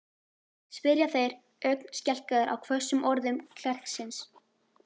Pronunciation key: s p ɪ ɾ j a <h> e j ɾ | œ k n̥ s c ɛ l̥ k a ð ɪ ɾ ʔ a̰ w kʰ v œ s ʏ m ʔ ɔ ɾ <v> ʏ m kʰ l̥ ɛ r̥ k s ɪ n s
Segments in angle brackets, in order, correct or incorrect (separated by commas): incorrect, incorrect